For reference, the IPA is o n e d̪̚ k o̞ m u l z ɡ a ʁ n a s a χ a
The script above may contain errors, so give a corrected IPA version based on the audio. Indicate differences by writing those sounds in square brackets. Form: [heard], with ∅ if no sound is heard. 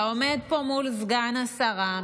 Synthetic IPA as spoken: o [m] e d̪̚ [p] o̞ m u l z ɡ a [∅] n a s a [ʁ] a